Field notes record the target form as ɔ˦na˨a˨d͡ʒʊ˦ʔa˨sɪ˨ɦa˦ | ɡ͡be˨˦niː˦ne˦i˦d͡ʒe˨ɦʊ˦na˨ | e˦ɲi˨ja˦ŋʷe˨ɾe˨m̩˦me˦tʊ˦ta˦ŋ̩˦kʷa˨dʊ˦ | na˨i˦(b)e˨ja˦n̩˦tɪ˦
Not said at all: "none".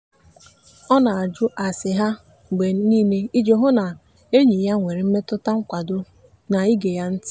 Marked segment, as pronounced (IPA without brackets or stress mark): ɡ